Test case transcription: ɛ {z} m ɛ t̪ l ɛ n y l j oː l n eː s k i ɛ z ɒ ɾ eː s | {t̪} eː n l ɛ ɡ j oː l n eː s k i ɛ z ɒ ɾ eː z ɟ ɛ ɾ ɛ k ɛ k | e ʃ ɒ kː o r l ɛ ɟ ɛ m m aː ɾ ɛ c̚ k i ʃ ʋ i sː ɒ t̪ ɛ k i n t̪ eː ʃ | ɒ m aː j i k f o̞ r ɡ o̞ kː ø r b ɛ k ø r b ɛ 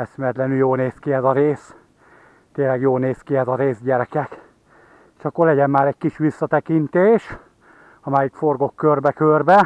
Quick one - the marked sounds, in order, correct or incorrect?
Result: incorrect: s, correct

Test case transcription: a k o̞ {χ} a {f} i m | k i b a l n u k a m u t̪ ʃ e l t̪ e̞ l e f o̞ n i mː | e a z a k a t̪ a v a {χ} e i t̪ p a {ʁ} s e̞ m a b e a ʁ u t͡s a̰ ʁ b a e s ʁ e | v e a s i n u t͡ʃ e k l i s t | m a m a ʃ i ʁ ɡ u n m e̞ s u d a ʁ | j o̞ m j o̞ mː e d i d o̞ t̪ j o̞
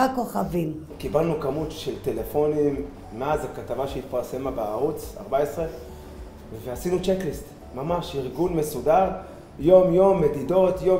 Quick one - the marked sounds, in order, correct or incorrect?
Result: correct, incorrect: v, incorrect: ʃ, correct

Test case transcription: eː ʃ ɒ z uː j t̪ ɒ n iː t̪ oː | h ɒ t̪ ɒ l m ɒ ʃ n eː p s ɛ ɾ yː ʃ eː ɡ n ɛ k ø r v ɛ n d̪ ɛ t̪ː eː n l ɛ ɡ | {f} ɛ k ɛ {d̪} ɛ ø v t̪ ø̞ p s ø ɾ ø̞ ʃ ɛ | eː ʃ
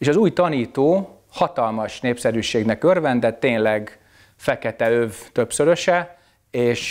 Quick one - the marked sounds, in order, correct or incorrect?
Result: correct, incorrect: t̪

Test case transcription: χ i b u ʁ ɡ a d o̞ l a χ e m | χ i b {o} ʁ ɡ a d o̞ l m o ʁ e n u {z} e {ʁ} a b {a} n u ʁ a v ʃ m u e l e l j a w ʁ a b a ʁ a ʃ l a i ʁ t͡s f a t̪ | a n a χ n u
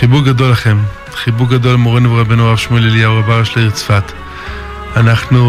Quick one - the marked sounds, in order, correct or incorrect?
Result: incorrect: u, incorrect: v, correct, incorrect: e

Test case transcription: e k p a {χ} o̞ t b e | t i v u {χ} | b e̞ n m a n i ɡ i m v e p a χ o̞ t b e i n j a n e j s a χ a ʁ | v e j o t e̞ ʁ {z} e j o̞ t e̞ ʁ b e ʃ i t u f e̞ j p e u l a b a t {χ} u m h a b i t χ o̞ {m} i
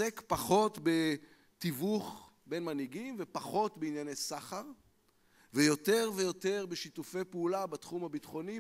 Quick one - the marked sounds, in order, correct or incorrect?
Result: correct, correct, incorrect: v, correct, incorrect: n

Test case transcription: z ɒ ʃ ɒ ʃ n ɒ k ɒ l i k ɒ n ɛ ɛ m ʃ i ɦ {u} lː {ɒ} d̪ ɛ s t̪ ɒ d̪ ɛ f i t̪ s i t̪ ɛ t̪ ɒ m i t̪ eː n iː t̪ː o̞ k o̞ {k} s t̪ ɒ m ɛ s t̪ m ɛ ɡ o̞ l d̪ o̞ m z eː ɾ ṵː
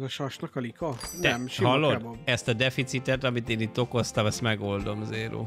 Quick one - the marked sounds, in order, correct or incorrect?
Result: incorrect: ɒ, incorrect: o, incorrect: none

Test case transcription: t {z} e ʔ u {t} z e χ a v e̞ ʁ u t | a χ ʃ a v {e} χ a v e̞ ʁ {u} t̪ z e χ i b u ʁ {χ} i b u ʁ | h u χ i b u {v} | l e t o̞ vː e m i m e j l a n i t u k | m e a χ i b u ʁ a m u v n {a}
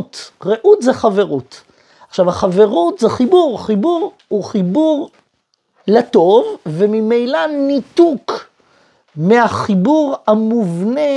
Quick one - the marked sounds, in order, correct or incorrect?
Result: incorrect: ʁ, correct, incorrect: a, correct, correct, incorrect: ʁ, incorrect: e

